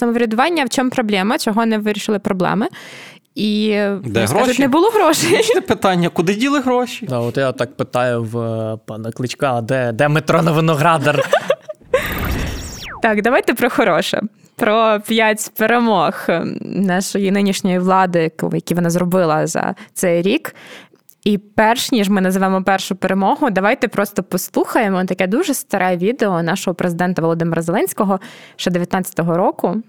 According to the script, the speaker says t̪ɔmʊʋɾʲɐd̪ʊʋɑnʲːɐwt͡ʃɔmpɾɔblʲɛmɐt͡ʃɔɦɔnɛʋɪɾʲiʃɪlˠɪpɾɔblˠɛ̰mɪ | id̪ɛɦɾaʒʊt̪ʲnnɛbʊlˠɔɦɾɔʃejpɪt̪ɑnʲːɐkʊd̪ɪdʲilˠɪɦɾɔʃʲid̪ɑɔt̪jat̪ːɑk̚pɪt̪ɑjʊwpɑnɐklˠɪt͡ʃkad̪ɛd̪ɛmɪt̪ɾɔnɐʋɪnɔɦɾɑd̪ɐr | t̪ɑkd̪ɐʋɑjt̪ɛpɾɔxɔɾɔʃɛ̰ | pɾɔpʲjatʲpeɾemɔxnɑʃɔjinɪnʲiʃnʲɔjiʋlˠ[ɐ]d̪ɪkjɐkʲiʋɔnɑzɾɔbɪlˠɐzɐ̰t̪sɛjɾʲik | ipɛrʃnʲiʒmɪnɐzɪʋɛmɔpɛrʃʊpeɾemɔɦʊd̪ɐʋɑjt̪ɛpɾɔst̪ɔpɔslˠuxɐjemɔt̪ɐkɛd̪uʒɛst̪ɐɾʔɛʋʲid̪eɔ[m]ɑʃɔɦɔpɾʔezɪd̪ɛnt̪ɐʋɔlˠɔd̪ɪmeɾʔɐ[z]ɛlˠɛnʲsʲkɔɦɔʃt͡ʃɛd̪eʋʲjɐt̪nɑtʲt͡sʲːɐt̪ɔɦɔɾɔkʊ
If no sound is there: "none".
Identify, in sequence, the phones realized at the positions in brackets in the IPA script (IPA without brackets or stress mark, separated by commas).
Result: ɑ, n, z